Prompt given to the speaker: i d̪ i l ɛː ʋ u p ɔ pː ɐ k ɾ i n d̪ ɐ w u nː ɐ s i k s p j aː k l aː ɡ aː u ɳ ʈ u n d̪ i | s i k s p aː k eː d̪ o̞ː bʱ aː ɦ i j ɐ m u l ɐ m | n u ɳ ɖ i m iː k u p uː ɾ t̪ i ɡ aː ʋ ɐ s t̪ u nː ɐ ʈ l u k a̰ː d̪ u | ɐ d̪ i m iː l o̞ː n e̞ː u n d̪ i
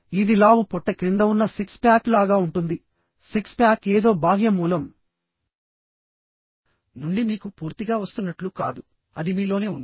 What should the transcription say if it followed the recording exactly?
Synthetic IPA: i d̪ i l aː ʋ u p ɔ ʈː ɐ k ɾ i n d̪ ɐ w u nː ɐ s i k s p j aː k l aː ɡ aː u ɳ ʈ u n d̪ i | s i k s p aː k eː d̪ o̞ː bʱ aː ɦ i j ɐ m uː l ɐ m | n u ɳ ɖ i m iː k u p uː ɾ t̪ i ɡ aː ʋ ɐ s t̪ u nː ɐ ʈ l u k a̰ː d̪ u | ɐ d̪ i m iː l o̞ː n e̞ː u n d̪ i